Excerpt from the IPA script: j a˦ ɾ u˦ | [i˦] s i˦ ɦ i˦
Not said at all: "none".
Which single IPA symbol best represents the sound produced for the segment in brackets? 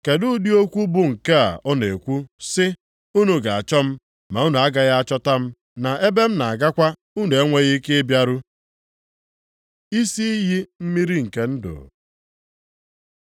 i˦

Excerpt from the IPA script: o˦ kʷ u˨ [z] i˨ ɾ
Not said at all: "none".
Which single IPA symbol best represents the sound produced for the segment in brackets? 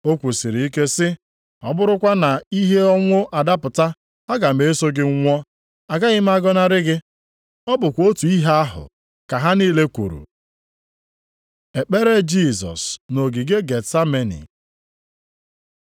s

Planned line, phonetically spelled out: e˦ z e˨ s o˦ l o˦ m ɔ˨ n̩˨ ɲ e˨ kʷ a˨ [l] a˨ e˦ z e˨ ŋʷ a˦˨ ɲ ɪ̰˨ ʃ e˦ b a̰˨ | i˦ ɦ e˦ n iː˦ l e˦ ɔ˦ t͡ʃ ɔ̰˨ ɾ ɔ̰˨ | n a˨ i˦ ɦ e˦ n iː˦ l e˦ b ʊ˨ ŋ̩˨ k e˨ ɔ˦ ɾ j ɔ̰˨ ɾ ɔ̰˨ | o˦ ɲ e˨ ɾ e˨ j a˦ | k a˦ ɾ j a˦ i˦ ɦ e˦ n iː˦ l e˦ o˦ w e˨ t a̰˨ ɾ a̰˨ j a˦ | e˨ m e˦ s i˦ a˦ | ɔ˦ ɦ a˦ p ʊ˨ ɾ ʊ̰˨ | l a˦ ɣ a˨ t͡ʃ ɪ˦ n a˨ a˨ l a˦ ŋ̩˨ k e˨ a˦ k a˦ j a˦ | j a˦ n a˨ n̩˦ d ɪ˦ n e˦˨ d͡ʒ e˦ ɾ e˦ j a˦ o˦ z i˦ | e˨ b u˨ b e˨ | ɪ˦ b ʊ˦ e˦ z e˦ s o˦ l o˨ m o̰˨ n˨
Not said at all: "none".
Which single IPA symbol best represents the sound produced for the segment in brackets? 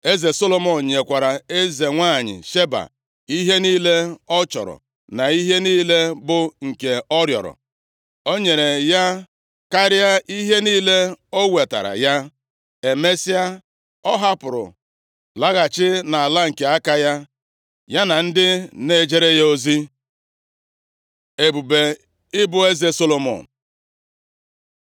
ɾ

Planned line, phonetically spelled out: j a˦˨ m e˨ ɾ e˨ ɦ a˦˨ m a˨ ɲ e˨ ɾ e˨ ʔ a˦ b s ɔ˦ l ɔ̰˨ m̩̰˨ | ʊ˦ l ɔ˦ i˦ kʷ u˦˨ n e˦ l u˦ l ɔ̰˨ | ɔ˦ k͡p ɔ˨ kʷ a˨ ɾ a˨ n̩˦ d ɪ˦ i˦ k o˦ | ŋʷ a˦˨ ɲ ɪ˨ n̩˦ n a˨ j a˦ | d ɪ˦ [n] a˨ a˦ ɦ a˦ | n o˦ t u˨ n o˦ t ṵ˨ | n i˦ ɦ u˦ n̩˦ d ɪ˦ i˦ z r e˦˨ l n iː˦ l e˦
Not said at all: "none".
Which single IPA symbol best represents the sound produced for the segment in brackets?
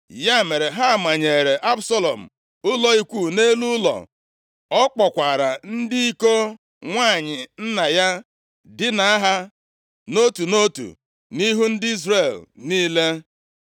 n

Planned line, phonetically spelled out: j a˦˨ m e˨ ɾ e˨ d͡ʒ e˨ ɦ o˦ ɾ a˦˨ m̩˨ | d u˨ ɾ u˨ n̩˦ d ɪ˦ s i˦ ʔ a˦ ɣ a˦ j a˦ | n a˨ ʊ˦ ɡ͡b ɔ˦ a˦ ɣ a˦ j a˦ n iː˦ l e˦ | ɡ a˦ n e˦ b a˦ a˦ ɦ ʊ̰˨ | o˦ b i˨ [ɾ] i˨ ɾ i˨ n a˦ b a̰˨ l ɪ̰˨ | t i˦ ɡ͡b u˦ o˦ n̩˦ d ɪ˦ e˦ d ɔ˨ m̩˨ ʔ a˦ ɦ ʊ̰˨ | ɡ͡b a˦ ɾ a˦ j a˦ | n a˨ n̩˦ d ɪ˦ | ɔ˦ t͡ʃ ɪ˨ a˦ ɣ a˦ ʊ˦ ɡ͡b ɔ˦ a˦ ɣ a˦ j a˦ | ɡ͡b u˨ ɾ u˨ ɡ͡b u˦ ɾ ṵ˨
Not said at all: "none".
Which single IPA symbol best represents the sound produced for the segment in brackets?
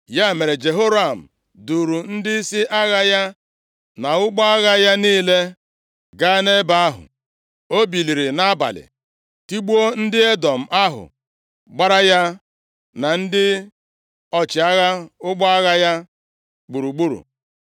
l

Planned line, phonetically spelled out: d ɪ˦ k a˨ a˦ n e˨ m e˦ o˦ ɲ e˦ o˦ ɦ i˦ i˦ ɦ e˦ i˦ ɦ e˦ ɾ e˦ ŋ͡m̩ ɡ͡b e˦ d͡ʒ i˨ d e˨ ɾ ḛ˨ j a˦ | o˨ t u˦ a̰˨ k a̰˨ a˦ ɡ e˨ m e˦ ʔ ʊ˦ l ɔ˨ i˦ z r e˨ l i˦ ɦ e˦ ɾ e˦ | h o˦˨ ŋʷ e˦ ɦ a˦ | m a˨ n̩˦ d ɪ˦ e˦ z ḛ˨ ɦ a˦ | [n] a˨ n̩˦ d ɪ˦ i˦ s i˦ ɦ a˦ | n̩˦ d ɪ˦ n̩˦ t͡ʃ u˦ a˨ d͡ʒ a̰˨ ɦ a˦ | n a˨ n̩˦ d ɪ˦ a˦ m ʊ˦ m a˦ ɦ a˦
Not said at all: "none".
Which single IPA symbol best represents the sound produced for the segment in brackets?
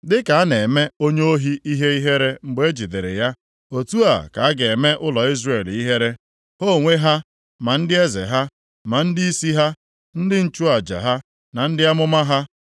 m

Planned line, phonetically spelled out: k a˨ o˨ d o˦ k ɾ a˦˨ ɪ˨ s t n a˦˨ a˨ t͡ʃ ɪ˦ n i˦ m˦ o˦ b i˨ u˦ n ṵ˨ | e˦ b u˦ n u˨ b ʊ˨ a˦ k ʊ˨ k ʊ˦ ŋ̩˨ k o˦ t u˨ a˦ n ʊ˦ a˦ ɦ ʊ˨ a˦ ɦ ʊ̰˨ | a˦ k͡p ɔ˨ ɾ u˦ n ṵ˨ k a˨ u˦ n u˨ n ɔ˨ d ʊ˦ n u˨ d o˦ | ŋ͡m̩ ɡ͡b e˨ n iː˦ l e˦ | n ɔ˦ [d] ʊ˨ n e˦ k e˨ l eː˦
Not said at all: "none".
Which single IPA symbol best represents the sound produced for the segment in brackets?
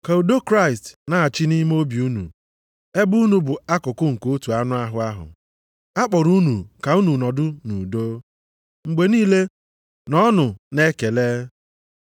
n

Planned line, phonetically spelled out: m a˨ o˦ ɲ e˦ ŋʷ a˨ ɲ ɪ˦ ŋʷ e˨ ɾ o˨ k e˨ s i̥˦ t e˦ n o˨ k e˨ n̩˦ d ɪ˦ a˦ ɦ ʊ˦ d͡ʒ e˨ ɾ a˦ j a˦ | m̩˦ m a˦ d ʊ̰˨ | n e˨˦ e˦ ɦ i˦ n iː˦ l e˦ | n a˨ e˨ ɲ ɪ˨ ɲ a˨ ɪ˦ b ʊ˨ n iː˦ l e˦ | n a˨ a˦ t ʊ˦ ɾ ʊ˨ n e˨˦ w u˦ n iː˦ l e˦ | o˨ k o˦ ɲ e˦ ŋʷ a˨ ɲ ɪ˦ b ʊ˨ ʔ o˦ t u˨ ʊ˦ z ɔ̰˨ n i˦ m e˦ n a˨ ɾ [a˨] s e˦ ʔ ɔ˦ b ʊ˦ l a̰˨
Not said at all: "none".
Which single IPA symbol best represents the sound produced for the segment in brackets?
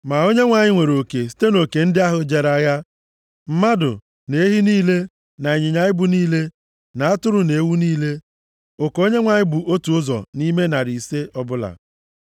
i˨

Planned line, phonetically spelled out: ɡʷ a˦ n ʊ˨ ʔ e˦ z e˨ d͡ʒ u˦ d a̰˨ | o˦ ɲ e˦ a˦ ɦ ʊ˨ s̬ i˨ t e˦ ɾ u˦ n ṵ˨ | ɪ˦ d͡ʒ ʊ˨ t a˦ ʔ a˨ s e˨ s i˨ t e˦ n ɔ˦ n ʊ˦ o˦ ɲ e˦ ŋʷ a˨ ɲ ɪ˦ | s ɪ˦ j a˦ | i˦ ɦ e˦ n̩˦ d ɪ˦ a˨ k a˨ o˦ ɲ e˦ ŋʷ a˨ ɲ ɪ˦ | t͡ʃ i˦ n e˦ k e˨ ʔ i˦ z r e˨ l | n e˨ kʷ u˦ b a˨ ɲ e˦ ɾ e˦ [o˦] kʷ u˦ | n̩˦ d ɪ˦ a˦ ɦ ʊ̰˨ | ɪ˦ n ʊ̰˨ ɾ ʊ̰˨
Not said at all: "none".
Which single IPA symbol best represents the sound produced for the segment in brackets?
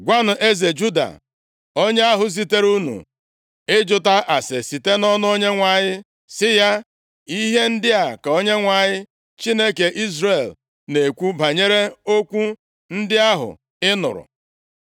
o˦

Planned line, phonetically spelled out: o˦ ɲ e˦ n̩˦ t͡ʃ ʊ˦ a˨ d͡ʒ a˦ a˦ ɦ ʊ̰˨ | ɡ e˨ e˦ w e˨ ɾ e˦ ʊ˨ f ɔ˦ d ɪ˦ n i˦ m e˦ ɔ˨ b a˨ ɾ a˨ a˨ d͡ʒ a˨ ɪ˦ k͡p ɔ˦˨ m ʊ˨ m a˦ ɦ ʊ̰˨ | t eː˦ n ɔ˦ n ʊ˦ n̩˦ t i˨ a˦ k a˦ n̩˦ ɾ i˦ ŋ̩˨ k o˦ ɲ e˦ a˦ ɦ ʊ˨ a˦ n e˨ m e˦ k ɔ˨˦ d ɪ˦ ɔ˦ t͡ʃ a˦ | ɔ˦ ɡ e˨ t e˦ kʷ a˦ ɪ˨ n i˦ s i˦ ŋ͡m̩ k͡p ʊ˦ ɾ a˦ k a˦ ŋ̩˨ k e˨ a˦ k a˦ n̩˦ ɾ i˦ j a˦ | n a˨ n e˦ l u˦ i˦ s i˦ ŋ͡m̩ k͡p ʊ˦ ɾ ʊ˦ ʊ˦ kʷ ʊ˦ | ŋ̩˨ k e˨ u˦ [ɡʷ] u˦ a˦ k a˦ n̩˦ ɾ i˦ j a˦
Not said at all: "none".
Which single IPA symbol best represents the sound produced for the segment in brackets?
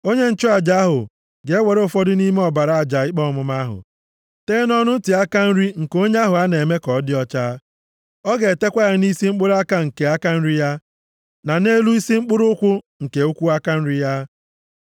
kʷ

